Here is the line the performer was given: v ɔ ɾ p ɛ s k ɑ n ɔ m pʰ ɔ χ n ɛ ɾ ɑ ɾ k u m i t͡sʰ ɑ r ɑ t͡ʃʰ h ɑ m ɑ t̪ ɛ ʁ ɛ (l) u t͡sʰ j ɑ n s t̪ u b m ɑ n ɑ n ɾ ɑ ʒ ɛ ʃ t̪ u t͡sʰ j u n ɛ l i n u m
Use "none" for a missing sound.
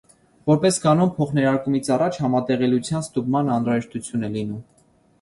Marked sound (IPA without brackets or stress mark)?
l